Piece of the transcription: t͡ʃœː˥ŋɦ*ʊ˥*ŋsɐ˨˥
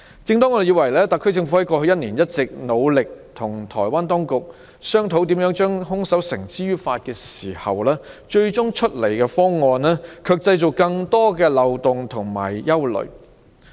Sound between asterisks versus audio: correct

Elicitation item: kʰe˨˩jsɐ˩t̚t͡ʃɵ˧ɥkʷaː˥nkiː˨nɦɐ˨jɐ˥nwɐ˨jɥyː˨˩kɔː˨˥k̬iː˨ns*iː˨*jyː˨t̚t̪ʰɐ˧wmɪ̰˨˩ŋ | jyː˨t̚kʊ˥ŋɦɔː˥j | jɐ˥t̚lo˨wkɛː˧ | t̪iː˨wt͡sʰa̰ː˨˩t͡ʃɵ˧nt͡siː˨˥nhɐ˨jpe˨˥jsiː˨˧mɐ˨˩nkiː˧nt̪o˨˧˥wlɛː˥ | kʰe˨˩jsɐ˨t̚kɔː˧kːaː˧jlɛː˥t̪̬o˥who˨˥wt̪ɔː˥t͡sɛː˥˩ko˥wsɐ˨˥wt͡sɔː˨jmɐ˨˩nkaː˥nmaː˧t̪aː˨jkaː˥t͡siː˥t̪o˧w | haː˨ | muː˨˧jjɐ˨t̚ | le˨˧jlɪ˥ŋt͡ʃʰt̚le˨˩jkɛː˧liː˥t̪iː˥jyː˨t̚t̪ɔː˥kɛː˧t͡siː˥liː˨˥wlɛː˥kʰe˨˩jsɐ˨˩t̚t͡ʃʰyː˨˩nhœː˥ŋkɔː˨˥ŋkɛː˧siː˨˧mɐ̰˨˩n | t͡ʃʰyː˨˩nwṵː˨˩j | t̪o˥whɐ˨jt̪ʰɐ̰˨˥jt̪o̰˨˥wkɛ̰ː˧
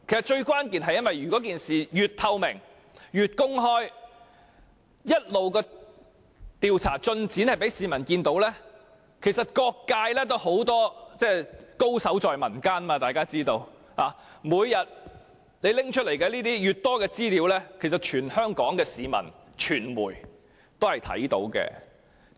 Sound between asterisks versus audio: correct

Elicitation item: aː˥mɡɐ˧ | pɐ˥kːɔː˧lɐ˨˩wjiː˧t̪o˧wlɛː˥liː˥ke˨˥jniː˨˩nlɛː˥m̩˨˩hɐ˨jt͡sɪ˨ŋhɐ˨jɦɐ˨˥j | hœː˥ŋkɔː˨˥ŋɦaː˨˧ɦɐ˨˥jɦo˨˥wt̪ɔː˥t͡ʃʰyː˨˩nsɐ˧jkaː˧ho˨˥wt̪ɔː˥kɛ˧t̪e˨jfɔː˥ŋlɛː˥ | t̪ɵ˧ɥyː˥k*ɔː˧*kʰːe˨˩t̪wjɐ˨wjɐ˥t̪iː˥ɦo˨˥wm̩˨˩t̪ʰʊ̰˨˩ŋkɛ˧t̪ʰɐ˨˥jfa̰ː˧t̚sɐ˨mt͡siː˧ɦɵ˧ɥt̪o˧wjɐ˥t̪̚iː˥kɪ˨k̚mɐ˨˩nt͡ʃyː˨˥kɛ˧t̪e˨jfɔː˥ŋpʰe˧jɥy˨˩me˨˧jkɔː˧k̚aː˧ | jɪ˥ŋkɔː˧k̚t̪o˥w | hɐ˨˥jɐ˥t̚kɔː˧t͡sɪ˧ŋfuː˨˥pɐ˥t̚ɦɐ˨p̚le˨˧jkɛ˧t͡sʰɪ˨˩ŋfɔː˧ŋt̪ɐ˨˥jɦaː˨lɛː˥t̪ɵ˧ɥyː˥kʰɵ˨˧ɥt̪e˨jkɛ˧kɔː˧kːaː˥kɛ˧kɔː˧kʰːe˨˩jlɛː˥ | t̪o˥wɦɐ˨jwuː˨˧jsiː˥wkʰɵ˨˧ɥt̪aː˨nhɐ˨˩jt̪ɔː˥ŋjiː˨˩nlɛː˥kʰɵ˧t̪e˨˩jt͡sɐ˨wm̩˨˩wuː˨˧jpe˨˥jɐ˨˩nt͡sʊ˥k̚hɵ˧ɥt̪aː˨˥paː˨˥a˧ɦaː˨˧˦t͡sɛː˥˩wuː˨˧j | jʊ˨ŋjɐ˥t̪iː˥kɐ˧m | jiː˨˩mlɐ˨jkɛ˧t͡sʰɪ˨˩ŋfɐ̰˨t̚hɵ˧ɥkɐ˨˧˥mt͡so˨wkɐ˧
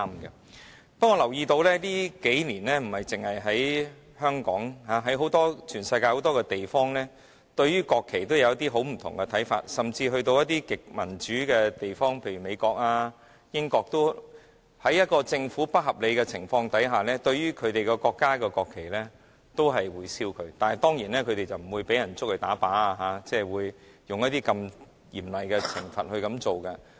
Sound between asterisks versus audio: correct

